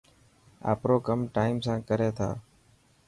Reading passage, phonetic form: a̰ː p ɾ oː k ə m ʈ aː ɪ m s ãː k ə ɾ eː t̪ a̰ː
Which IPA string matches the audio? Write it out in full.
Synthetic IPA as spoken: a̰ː p ɾ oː k ə m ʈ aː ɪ m s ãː k ə ɾ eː t̪ʰ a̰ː